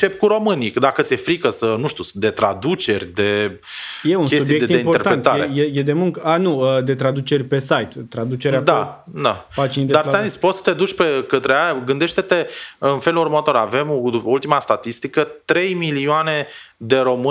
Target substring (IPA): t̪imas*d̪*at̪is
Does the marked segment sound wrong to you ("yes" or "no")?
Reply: yes